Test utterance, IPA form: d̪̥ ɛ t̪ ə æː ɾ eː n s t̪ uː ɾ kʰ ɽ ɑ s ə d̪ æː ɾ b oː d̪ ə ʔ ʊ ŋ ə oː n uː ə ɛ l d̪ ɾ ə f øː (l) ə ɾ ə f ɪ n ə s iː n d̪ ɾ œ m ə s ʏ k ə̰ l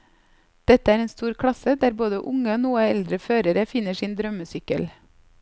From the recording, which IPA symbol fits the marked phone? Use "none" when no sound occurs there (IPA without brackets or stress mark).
ɾ